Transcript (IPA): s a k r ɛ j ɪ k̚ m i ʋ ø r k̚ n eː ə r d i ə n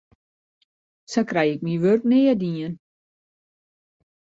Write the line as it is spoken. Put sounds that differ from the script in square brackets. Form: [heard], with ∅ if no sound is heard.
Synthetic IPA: s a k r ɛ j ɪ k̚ m i ʋ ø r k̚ n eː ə [∅] d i ə n